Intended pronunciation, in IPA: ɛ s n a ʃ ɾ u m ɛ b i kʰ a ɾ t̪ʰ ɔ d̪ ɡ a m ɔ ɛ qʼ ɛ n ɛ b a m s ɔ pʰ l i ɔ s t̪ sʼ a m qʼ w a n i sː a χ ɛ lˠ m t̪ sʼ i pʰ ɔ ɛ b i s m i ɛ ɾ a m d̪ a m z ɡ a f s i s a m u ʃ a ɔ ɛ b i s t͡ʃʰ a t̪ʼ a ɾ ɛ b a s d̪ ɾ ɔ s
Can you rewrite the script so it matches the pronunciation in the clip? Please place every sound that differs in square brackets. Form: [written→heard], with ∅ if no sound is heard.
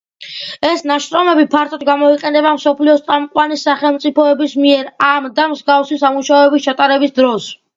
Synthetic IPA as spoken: ɛ s n a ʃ ɾ [u→ɔ] m ɛ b i [kʰ→pʰ] a ɾ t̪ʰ ɔ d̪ ɡ a m ɔ [ɛ→i] qʼ ɛ n ɛ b a m s ɔ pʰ l i ɔ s t̪ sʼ a m qʼ w a n i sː a χ ɛ lˠ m t̪ sʼ i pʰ ɔ ɛ b i s m i ɛ ɾ a m d̪ a m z ɡ a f s i s a m u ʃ a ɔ ɛ b i s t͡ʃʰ a t̪ʼ a ɾ ɛ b [a→i] s d̪ ɾ ɔ s

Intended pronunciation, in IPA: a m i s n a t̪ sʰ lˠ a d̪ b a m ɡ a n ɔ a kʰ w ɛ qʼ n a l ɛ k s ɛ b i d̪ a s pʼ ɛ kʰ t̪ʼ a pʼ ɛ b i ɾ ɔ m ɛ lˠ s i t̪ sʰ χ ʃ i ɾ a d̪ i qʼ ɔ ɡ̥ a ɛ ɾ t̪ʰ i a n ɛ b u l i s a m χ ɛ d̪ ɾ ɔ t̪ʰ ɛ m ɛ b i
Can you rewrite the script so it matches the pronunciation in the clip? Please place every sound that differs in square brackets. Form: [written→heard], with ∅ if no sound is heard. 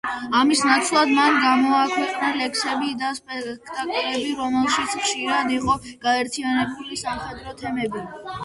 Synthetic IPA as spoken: a m i s n a t̪ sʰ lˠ a d̪ [b→m] a [m→n] ɡ a [n→m] ɔ a kʰ w ɛ qʼ n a l ɛ k s ɛ b i d̪ a s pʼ ɛ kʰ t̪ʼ a [pʼ→kʼ] ɛ b i ɾ ɔ m ɛ lˠ [s→ʃ] i t̪ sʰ χ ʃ i ɾ a d̪ i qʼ ɔ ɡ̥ a ɛ ɾ t̪ʰ i a n ɛ b u l i s a m χ ɛ d̪ ɾ ɔ t̪ʰ ɛ m ɛ b i

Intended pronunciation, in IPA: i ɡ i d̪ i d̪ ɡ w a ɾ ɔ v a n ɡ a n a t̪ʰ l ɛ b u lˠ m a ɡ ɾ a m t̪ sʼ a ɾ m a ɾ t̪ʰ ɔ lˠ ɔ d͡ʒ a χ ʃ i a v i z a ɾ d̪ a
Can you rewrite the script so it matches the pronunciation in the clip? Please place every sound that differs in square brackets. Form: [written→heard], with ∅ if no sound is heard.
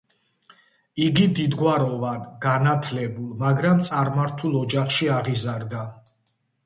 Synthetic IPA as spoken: i ɡ i d̪ i d̪ ɡ w a ɾ ɔ v a n ɡ a n a t̪ʰ l ɛ b u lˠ m a ɡ ɾ a m t̪ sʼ a ɾ m a ɾ t̪ʰ [ɔ→u] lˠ ɔ d͡ʒ a χ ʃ i a [v→ʁ] i z a ɾ d̪ a

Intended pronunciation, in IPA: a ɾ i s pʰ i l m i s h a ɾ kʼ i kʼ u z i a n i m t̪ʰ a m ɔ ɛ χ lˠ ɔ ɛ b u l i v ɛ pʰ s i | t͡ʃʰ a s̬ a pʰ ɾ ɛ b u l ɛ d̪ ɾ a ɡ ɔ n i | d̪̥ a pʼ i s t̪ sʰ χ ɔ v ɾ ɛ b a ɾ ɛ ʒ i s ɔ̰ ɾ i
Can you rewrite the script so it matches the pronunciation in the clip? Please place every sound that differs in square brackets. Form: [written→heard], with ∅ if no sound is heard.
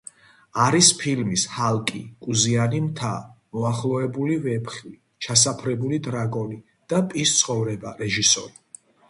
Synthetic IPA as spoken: a ɾ i s pʰ i l m i s h a [ɾ→l] kʼ i kʼ u z i a n i m t̪ʰ a m ɔ [ɛ→a] χ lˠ ɔ ɛ b u l i v ɛ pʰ [s→χ] i | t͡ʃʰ a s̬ a pʰ ɾ ɛ b u l [ɛ→i] d̪ ɾ a ɡ ɔ n i | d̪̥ a pʼ i s t̪ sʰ χ ɔ v ɾ ɛ b a ɾ ɛ ʒ i s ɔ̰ ɾ i

